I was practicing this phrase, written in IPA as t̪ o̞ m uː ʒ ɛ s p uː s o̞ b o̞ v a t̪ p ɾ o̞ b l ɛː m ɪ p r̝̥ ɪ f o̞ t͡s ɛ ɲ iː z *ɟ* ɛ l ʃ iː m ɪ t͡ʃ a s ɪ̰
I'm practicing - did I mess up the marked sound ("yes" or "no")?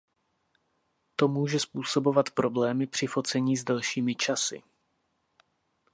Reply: yes